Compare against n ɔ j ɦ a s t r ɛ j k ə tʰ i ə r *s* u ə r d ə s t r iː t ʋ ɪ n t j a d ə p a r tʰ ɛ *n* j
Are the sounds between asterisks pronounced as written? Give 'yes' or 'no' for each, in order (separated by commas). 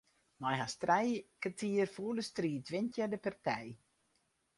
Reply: no, no